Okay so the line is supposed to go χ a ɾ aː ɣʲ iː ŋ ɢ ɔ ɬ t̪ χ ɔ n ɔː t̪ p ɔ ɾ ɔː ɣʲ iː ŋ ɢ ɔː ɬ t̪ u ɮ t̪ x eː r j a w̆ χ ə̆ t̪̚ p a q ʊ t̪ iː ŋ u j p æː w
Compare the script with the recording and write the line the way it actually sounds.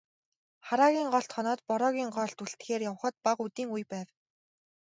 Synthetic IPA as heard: χ a ɾ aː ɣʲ iː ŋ ɢ ɔ ɬ t̪ χ ɔ n ɔː t̪ p ɔ ɾ ɔː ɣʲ iː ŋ ɢ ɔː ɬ t̪ u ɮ t̪ x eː r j a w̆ χ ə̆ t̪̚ p a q u t̪ iː ŋ u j p æː w